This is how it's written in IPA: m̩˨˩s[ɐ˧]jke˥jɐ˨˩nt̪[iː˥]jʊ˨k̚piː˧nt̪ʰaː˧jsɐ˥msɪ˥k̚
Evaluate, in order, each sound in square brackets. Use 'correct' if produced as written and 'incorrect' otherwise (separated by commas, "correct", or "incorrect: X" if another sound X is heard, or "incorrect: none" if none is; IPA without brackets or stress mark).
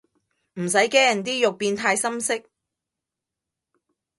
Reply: incorrect: ɐ˨˥, correct